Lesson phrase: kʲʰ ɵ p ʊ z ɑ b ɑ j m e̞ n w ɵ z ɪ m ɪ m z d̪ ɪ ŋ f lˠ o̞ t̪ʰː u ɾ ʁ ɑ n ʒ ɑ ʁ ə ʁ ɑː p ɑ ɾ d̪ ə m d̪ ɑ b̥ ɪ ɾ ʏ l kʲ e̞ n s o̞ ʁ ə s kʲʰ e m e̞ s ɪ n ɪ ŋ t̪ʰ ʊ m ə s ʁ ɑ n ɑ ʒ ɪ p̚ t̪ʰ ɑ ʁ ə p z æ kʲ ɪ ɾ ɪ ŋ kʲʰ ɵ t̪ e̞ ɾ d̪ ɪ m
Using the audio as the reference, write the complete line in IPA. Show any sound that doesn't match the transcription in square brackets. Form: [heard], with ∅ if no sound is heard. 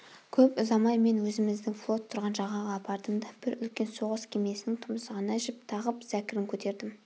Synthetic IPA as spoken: kʲʰ ɵ p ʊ z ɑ [m] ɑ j m e̞ n w ɵ z ɪ m ɪ [∅] z d̪ ɪ ŋ f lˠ o̞ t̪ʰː [ʊ] ɾ ʁ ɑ n ʒ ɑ ʁ [ɑ] ʁ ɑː p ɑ ɾ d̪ ə m d̪ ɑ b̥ ɪ ɾ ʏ l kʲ e̞ n s o̞ ʁ ə s kʲʰ e m e̞ s ɪ n ɪ ŋ t̪ʰ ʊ m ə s ʁ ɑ n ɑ ʒ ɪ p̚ t̪ʰ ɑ ʁ ə p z æ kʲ ɪ ɾ ɪ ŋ kʲʰ ɵ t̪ e̞ ɾ d̪ ɪ m